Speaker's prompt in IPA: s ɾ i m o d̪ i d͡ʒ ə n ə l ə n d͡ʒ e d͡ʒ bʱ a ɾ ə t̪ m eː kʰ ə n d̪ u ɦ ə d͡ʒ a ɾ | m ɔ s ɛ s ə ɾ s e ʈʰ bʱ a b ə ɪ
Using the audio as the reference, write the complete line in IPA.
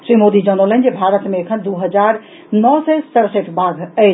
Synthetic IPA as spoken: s ɾ i m o d̪ i d͡ʒ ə n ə l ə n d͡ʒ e bʱ a ɾ ə t̪ m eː kʰ ə n d̪ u ɦ ə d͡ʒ a ɾ | n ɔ s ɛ s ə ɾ s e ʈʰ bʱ a ɡ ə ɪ